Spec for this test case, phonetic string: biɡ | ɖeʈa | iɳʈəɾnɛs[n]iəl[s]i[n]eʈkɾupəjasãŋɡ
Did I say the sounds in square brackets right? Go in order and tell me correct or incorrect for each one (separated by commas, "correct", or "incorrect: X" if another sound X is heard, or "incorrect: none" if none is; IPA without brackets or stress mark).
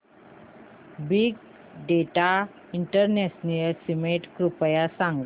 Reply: correct, correct, incorrect: m